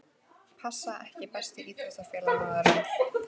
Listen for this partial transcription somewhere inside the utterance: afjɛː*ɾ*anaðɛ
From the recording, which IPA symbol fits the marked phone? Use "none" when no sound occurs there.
l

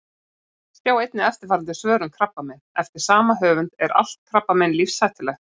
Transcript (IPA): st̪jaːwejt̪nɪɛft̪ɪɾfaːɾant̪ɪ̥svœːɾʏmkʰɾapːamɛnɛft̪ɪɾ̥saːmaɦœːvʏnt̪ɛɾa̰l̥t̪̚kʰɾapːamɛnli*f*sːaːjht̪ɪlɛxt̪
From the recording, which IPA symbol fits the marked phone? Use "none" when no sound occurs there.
f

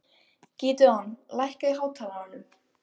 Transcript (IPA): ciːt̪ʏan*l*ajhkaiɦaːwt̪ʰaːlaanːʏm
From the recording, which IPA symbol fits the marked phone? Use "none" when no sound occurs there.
l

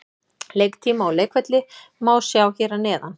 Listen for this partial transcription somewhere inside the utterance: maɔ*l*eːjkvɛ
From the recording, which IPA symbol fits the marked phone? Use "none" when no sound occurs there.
l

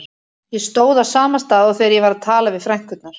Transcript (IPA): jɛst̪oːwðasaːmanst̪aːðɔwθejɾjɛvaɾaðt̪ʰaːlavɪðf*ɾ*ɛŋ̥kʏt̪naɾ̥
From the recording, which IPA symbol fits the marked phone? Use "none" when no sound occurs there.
ɾ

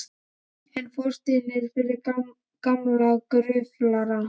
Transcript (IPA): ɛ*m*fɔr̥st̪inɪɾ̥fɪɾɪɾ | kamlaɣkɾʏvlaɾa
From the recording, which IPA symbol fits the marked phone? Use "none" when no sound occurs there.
n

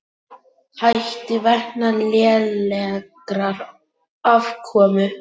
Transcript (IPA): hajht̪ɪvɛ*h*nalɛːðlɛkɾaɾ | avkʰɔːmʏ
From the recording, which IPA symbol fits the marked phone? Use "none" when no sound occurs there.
h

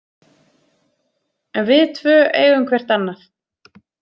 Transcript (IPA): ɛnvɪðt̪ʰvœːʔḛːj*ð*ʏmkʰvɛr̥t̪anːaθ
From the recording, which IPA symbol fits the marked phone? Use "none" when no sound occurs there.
ɣ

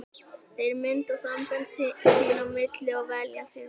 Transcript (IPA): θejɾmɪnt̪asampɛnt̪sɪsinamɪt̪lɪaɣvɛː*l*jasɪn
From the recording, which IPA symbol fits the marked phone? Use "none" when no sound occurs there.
l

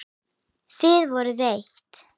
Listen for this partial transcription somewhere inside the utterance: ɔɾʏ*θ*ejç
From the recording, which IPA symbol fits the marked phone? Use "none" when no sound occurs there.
ð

